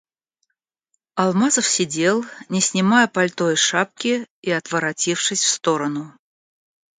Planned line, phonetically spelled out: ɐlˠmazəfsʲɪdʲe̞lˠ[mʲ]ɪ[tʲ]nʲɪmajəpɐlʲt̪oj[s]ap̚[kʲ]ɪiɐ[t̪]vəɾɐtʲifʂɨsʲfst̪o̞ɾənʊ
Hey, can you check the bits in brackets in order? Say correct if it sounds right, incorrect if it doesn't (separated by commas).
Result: incorrect, incorrect, incorrect, correct, correct